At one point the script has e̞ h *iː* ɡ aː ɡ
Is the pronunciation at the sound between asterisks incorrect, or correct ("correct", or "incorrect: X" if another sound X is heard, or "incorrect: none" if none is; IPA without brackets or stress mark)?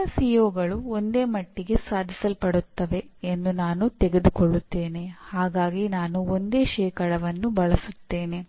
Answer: incorrect: aː